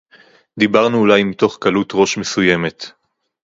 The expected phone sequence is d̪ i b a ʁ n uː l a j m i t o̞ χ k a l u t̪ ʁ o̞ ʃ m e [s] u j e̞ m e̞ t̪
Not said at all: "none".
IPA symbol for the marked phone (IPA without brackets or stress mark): s